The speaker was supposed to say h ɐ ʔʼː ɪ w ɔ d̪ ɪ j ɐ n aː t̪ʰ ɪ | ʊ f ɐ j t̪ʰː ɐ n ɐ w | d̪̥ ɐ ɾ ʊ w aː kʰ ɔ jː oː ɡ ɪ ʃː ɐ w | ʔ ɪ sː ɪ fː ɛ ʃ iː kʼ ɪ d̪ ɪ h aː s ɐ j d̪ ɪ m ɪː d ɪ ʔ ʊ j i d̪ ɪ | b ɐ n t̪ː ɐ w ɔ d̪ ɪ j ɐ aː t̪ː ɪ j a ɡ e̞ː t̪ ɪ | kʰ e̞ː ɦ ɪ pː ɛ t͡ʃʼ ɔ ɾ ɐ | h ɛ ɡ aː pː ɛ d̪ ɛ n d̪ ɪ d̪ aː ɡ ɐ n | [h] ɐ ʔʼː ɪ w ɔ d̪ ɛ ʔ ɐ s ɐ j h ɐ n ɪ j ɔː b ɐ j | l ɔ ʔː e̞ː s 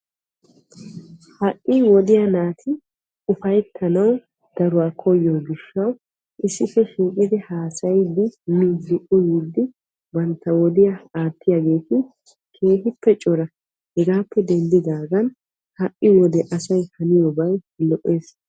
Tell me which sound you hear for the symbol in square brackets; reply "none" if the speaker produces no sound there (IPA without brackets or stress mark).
h